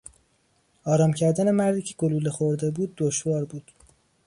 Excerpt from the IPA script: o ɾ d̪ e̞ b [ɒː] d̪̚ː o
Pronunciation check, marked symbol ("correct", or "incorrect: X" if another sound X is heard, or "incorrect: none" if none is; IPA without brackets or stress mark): incorrect: uː